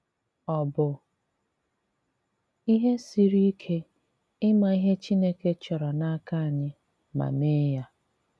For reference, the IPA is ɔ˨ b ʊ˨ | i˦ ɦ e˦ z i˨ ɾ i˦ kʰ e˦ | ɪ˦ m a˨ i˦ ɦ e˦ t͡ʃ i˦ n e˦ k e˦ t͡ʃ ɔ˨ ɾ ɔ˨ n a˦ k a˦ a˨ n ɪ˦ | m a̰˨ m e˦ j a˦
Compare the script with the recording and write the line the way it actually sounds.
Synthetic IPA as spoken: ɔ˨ b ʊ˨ | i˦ ɦ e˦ s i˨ ɾ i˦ kʰ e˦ | ɪ˦ m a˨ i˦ ɦ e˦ t͡ʃ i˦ n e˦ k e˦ t͡ʃ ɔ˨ ɾ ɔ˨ n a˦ k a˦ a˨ ɲ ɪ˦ | m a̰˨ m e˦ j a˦